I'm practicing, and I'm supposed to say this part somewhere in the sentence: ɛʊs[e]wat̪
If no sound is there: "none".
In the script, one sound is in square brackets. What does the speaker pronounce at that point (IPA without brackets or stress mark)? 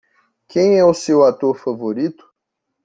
e